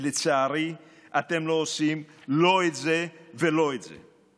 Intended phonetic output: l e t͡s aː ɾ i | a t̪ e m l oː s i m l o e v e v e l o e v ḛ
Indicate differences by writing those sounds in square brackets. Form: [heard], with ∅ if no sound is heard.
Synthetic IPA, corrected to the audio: l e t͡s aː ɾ i | a t̪ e m l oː s i m l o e [z] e v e l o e [z] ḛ